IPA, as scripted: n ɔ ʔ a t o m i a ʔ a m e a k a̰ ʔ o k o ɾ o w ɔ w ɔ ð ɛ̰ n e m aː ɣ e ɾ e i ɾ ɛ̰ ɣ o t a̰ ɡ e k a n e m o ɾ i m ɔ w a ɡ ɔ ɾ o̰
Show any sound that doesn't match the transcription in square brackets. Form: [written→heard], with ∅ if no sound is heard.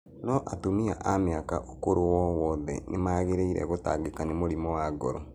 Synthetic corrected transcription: n ɔ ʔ a t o m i a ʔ a m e a k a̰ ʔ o k o ɾ o w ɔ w ɔ ð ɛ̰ n e m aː ɣ e ɾ e i ɾ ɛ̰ ɣ o t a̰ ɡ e k a n e m o ɾ i m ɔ w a ɡ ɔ ɾ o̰